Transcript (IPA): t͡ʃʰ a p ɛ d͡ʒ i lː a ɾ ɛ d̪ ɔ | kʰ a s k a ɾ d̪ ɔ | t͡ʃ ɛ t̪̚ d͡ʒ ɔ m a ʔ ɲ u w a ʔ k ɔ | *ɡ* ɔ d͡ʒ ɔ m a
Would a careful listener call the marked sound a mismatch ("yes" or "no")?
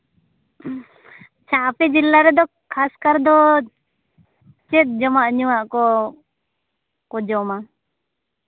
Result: yes